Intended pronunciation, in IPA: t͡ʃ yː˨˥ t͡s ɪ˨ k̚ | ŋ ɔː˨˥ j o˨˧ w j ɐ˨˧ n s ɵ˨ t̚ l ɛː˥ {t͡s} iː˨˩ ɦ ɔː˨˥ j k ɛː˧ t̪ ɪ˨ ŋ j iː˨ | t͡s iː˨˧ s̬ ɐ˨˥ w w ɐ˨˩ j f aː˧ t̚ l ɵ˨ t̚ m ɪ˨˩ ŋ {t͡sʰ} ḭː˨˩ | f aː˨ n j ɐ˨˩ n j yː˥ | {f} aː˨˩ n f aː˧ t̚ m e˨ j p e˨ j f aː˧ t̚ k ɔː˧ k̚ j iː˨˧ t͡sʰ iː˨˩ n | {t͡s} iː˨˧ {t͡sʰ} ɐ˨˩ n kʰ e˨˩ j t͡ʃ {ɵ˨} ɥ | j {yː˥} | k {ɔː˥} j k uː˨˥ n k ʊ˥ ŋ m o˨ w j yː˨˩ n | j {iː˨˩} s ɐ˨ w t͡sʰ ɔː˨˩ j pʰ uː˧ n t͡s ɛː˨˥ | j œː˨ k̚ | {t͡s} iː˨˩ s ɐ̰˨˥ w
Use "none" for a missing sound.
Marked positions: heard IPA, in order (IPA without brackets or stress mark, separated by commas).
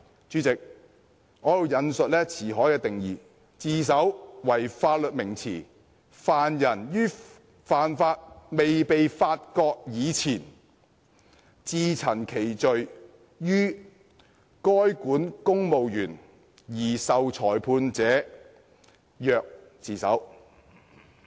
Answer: t͡sʰ, t͡sʰ, f, t͡s, t͡sʰ, ɵ˨, yː˥, ɔː˥, iː˨˩, t͡s